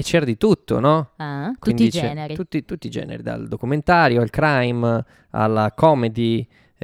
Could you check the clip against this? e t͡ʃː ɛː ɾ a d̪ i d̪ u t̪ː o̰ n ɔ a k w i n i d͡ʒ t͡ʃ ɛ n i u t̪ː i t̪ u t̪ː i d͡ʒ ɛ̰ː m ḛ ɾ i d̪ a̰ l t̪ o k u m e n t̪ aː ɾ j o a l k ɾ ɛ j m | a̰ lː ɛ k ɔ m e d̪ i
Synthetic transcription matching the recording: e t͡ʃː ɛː ɾ a d̪ i t̪ u t̪ː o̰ n ɔ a k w i n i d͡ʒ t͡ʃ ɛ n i u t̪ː i t̪ u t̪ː i d͡ʒ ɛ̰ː n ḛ ɾ i d̪ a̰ l d̪ o k u m e n t̪ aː ɾ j o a l k ɾ a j m | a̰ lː a k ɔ m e d̪ i